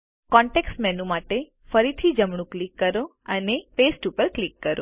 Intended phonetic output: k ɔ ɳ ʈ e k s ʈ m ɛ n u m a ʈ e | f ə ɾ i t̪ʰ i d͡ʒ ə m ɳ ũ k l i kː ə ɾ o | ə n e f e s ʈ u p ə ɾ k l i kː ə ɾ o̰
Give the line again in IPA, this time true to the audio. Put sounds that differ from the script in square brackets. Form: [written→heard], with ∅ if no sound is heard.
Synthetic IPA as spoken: k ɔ ɳ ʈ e k s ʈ m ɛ n u m a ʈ e | f ə ɾ i t̪ʰ i d͡ʒ ə m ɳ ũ k l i kː ə ɾ o | ə n e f e s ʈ u p ə ɾ k l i kː ə ɾ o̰